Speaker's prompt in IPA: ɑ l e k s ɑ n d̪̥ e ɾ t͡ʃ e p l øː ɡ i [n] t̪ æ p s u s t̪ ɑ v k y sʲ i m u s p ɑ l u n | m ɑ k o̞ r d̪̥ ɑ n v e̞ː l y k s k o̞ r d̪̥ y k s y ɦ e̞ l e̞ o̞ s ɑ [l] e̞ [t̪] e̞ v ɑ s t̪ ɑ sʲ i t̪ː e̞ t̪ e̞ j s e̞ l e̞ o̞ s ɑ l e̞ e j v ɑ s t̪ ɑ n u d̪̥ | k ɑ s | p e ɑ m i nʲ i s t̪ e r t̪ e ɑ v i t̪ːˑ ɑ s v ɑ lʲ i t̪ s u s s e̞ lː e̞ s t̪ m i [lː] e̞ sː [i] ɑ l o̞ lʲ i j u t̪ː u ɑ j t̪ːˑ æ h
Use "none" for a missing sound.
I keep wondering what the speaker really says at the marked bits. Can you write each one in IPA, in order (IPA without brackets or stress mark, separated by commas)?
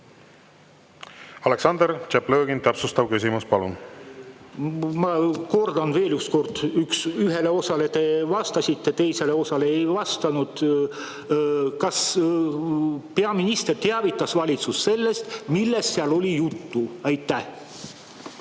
n, l, t̪, lː, e